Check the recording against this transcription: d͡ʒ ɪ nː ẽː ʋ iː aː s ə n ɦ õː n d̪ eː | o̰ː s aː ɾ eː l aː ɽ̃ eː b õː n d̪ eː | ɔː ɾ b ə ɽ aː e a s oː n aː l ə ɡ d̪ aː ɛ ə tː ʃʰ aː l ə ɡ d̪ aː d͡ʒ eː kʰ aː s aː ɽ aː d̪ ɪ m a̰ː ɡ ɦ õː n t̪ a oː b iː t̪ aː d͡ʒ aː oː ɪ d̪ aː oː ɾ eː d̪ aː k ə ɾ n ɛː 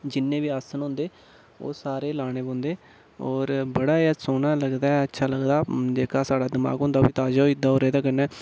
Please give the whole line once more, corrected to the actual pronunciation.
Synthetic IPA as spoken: d͡ʒ ɪ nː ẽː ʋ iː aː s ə n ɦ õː n d̪ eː | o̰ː s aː ɾ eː l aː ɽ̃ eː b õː n d̪ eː | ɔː ɾ b ə ɽ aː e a s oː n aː l ə ɡ d̪ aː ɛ ə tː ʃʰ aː l ə ɡ d̪ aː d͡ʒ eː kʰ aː s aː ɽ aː d̪ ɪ m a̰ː ɡ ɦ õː n d̪ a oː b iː t̪ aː d͡ʒ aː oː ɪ d̪ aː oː ɾ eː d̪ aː k ə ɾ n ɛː

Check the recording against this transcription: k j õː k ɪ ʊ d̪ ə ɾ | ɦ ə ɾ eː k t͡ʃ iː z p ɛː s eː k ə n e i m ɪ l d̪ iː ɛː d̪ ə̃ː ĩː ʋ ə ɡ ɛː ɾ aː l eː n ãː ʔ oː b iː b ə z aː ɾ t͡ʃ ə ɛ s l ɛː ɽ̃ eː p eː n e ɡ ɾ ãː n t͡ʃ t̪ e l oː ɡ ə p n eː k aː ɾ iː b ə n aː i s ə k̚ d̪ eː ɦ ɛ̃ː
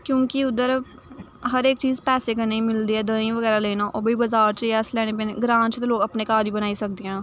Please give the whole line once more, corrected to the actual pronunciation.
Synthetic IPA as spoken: k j õː k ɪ ʊ d̪ ə ɾ | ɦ ə ɾ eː k t͡ʃ iː z p ɛː s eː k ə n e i m ɪ l d̪ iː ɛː d̪ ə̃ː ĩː ʋ ə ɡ ɛː ɾ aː l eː n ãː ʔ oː b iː b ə z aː ɾ t͡ʃ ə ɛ s l ɛː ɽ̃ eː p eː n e ɡ ɾ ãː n t͡ʃ t̪ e l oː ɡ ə p n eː k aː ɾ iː b ə n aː i s ə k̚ d̪ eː ɦ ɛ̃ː

